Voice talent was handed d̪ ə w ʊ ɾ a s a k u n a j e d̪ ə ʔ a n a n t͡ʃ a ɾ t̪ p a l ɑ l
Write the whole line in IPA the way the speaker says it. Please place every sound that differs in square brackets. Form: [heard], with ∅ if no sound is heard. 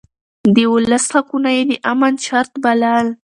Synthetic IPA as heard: d̪ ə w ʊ [l] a s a k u n a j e d̪ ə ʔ a [m] a n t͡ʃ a ɾ t̪ [b] a l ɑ l